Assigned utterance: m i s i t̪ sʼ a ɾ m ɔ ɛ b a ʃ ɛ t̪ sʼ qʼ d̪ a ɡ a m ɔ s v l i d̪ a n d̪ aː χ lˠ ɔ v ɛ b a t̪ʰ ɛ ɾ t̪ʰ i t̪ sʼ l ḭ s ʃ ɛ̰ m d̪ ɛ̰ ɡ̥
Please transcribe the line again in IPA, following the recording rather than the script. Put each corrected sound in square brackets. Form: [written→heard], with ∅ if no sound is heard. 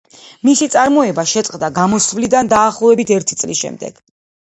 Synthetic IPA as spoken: m i s i t̪ sʼ a ɾ m ɔ ɛ b a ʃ ɛ t̪ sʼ qʼ d̪ a ɡ a m ɔ s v l i d̪ a n d̪ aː χ lˠ ɔ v ɛ b [a→i] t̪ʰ ɛ ɾ t̪ʰ i t̪ sʼ l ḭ s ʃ ɛ̰ m d̪ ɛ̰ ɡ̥